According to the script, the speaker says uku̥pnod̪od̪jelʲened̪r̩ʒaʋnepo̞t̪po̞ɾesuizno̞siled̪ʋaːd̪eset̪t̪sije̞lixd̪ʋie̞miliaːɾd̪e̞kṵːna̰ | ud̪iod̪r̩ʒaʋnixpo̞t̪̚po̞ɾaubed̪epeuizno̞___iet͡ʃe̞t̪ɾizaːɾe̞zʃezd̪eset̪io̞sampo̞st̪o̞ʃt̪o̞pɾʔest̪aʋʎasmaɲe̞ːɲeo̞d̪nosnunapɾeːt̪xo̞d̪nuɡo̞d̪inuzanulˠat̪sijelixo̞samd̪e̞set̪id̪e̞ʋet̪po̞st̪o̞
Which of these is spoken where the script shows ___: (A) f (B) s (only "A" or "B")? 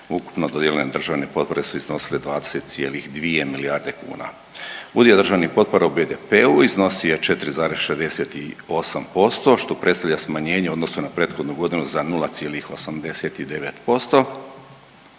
B